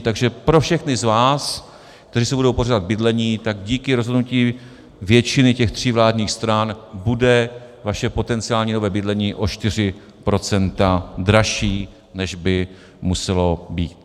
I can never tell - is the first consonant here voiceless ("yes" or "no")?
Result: yes